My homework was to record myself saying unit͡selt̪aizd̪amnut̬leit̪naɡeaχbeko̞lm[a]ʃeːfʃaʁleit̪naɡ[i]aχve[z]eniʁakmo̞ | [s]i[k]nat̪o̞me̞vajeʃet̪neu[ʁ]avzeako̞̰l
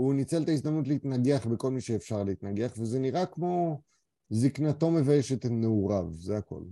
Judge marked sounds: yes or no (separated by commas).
no, no, yes, no, yes, yes